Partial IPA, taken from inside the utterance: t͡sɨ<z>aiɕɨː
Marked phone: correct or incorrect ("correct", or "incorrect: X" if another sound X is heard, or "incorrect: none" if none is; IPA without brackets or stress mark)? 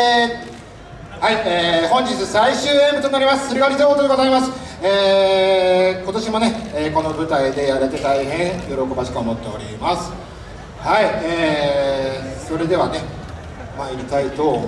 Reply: incorrect: s